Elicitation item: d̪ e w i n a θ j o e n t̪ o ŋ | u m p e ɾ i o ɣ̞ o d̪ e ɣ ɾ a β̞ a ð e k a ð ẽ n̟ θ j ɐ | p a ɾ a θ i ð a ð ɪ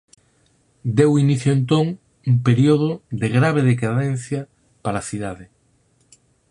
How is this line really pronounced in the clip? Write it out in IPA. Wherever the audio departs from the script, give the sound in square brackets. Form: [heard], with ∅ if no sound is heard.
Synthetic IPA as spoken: d̪ e w i n [i] θ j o e n t̪ o ŋ | u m p e ɾ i o [ð̞] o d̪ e ɣ ɾ a β̞ [e] ð e k a ð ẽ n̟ θ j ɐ | p a ɾ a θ i ð a ð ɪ